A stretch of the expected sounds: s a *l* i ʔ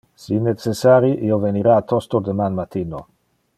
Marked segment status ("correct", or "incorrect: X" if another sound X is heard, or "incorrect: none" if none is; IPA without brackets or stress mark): incorrect: ɾ